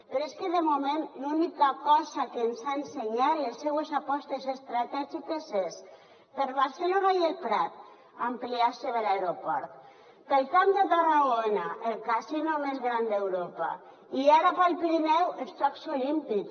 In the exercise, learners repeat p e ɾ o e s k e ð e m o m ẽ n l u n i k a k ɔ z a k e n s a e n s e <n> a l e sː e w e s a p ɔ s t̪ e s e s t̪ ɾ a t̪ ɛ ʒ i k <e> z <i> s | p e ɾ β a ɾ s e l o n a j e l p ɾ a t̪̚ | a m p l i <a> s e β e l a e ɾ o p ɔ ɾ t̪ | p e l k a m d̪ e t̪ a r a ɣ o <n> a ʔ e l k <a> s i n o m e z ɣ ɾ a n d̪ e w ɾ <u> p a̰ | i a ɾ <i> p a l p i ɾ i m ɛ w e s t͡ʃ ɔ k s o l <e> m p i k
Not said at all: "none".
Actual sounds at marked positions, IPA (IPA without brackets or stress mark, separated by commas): ɲ, e, e, a, n, a, o, a, i